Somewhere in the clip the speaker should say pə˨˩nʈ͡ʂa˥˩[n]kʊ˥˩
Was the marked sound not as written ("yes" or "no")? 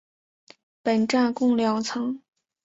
no